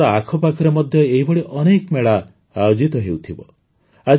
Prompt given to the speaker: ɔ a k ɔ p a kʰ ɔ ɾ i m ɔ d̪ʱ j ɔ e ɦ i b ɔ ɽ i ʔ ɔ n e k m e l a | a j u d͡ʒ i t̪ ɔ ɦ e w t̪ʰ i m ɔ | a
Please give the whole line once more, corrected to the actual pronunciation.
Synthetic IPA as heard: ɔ a kʰ ɔ p a kʰ ɔ ɾ e m ɔ d̪ʱ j ɔ e ɦ i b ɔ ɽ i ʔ ɔ n e k m e ɭ a | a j o d͡ʒ i t̪ ɔ ɦ e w t̪ʰ i b ɔ | a